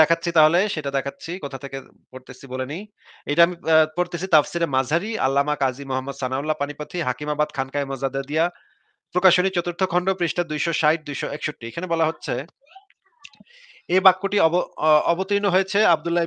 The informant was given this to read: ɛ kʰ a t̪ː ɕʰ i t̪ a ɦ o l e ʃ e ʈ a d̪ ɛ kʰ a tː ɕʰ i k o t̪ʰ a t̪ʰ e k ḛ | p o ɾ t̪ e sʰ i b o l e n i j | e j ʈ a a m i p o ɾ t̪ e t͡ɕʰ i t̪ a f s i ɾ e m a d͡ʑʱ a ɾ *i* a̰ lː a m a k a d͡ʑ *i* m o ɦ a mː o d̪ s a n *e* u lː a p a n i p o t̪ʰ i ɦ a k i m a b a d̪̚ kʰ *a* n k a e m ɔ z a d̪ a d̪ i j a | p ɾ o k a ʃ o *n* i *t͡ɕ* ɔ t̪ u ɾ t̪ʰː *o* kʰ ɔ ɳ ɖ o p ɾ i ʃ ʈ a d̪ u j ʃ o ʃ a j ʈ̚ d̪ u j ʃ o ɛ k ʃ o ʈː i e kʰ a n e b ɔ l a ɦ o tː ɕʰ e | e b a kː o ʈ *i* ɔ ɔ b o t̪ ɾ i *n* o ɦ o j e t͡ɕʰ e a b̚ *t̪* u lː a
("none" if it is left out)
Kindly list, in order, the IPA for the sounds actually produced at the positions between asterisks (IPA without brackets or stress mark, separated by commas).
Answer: i, i, a, a, n, t͡ɕ, o, i, n, d̪